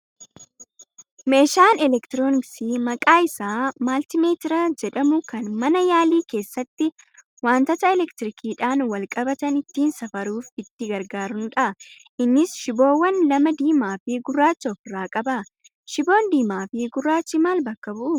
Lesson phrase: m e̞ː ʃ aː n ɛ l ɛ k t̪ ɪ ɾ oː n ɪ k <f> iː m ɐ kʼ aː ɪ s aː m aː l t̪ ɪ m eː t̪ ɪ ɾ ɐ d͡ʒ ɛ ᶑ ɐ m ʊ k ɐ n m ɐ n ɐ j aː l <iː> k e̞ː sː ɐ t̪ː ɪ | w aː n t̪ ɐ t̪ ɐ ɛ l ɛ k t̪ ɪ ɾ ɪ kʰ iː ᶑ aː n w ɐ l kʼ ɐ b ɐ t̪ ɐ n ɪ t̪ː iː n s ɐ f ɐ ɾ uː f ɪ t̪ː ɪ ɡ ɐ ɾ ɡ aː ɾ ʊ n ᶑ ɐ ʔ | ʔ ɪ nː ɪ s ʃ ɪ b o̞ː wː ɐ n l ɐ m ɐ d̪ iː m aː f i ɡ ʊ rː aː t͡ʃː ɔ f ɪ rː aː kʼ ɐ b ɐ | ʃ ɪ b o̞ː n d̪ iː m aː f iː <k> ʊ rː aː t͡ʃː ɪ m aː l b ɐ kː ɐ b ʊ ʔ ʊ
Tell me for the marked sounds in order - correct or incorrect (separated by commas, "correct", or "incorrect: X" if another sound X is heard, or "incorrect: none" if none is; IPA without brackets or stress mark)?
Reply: incorrect: s, correct, incorrect: ɡ